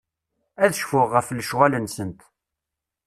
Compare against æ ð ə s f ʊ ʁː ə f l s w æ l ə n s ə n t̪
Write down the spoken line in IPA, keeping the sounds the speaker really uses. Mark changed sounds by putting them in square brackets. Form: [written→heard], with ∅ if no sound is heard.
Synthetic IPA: æ ð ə [s→ʃ] f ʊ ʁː ə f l [s→ʃ] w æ l ə n s ə n t̪

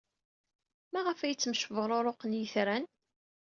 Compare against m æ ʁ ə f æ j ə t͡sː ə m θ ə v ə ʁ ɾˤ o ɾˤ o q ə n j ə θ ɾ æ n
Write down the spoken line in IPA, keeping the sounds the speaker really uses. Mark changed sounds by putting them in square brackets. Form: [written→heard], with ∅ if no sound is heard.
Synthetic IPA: m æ ʁ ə f æ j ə t͡sː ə m [θ→ʃ] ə v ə ʁ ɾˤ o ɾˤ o q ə n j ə θ ɾ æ n

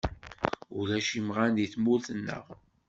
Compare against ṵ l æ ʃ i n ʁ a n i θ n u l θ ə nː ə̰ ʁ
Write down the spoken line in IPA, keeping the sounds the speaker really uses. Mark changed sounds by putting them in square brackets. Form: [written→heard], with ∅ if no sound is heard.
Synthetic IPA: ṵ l æ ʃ i [n→m] ʁ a n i θ [n→m] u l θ ə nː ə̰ ʁ

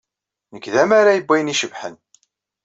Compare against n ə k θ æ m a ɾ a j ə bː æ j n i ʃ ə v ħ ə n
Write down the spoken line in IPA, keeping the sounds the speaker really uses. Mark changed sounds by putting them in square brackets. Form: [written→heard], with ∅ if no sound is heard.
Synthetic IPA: n ə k [θ→ð] æ m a ɾ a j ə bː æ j n i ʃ ə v ħ ə n

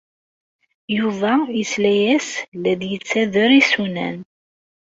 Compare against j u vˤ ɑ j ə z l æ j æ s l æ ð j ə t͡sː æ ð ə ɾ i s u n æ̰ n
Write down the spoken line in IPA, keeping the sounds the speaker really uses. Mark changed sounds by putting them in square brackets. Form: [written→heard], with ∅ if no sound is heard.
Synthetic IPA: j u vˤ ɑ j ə [z→s] l æ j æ s l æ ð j ə t͡sː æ ð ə ɾ i s u n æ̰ n

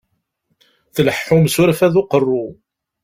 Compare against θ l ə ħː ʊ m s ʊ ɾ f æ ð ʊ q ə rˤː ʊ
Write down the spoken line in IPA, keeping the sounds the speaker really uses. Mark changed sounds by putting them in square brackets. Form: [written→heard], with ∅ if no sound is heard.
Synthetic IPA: θ l ə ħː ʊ m s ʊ ɾ f æ ð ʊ q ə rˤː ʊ

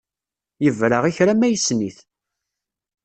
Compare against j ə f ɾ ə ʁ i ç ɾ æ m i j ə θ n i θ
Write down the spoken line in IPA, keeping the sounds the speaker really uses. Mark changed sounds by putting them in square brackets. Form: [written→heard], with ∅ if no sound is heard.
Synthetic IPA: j ə [f→v] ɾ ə ʁ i ç ɾ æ m [i→æ] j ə [θ→s] n i θ

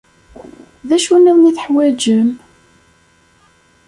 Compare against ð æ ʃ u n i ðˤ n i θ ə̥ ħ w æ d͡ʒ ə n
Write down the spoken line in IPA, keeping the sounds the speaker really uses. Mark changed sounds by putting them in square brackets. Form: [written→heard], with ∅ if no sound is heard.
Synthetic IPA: ð æ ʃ u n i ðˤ n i θ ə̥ ħ w æ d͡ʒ ə [n→m]

